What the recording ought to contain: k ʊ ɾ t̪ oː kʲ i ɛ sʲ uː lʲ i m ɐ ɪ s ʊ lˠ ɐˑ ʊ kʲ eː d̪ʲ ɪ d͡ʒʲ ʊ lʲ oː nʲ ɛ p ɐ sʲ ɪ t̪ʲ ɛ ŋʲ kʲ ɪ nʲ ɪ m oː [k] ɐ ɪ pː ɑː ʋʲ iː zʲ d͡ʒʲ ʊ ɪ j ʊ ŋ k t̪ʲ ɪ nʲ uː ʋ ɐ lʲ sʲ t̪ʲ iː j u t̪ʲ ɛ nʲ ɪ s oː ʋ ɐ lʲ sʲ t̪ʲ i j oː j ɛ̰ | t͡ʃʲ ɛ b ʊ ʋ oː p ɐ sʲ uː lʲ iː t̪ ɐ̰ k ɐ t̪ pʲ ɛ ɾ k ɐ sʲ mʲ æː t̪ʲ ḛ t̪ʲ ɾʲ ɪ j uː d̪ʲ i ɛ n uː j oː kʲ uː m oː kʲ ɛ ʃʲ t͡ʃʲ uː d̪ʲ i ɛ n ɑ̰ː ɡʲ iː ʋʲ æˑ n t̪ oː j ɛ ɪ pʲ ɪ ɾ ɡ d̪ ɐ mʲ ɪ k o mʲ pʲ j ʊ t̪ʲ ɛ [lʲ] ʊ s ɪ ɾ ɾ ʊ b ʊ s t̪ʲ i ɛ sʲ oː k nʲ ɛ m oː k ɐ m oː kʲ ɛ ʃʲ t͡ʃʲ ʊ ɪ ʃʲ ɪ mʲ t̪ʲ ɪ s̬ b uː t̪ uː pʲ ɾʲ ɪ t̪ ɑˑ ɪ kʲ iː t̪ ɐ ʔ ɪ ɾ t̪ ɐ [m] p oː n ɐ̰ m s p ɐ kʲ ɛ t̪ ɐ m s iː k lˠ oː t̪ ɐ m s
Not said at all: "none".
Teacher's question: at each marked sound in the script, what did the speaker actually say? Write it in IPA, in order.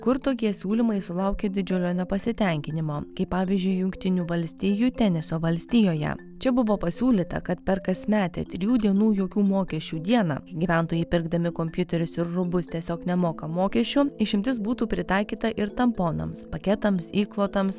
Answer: k, ɾʲ, m

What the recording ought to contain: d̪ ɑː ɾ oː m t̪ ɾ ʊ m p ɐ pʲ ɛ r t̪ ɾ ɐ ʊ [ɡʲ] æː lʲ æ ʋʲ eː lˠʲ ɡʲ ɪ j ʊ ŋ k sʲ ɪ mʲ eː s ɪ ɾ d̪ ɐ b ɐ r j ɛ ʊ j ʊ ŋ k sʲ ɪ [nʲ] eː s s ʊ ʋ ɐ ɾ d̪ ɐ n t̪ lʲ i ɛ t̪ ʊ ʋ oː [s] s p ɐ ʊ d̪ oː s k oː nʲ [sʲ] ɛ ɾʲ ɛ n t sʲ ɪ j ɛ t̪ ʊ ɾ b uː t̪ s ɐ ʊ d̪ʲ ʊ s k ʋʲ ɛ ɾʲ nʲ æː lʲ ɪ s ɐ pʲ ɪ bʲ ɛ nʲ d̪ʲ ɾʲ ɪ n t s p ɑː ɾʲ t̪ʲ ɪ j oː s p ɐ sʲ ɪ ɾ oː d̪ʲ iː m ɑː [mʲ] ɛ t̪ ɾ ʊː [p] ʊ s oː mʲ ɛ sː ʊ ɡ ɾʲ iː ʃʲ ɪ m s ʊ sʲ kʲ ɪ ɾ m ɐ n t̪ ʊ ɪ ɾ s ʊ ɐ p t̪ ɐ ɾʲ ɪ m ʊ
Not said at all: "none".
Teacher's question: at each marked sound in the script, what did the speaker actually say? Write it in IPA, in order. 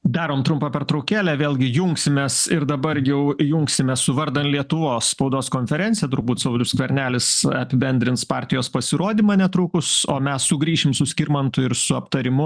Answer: kʲ, mʲ, s, fʲ, nʲ, k

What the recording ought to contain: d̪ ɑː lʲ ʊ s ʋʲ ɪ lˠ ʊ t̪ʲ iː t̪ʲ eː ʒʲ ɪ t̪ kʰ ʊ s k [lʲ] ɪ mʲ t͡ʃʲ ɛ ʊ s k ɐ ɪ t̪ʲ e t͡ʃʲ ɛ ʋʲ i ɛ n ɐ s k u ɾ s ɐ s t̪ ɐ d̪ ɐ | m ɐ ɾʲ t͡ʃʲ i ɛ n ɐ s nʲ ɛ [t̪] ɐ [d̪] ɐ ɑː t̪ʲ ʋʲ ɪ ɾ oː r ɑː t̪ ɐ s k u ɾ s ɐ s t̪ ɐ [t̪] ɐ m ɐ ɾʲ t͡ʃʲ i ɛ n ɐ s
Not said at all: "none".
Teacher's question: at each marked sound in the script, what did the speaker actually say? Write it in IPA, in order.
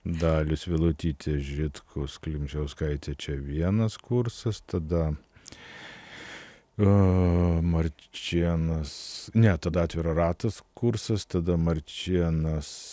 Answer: lʲ, t̪, d̪, d̪

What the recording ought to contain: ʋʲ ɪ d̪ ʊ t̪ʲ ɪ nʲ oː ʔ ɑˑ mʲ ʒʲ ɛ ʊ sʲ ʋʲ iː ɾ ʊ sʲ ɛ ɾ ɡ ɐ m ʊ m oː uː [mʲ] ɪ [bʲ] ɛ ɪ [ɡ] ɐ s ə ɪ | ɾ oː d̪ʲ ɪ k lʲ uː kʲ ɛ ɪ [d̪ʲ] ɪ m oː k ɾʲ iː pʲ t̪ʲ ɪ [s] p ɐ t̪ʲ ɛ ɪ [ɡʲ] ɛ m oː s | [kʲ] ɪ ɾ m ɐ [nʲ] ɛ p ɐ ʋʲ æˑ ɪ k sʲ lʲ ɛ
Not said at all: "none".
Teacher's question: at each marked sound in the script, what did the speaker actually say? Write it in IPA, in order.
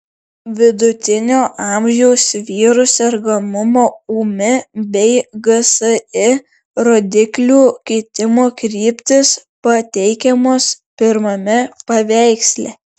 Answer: mʲ, bʲ, ɡ, t̪ʲ, s, kʲ, pʲ, mʲ

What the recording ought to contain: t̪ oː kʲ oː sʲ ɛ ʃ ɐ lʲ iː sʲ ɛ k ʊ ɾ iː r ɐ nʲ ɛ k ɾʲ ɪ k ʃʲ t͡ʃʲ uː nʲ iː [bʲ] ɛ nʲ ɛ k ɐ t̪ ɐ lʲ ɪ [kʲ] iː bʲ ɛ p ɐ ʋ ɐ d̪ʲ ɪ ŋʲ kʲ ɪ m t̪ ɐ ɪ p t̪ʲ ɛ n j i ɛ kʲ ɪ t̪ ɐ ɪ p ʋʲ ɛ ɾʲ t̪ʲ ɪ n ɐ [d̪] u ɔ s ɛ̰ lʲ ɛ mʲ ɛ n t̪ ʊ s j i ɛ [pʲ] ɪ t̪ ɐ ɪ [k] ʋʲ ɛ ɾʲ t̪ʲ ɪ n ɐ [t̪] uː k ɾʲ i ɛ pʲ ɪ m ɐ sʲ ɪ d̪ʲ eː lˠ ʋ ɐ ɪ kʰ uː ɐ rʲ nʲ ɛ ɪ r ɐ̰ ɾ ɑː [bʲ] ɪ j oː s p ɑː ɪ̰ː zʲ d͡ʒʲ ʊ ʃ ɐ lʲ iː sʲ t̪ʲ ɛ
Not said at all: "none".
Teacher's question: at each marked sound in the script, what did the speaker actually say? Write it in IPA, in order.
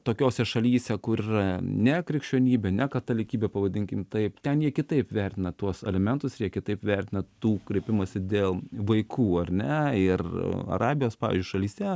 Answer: bʲ, kʲ, t̪, kʲ, p, t̪, bʲ

